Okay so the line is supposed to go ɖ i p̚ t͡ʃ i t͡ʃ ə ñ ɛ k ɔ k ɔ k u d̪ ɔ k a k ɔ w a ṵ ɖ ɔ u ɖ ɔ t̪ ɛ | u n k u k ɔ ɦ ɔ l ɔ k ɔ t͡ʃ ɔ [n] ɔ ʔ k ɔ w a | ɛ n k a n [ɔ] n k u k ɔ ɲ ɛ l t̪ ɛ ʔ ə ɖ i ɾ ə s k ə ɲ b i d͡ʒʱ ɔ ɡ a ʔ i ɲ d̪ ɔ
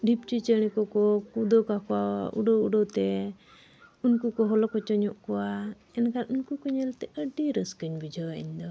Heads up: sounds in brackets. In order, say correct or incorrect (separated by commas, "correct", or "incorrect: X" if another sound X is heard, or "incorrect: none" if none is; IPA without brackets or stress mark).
incorrect: ɲ, incorrect: u